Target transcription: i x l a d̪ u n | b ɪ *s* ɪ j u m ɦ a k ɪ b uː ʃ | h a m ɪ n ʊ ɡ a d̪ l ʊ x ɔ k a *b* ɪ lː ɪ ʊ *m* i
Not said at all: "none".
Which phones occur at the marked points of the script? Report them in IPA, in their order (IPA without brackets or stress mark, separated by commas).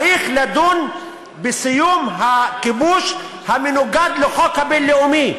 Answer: s, b, m